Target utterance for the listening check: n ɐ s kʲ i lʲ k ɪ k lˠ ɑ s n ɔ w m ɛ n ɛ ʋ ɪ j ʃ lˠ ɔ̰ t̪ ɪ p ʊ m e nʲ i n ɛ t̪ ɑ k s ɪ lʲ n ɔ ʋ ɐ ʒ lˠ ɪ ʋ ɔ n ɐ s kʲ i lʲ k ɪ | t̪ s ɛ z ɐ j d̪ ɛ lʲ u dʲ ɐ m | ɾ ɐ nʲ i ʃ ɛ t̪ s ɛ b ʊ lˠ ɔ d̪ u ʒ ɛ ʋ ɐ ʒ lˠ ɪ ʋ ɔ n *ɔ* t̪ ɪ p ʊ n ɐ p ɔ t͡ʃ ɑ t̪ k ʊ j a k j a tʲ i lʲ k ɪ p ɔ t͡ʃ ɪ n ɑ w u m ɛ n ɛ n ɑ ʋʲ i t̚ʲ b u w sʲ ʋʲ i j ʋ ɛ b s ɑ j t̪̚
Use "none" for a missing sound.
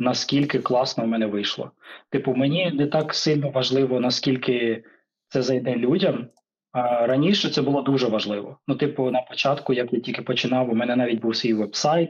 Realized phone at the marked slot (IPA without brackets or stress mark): u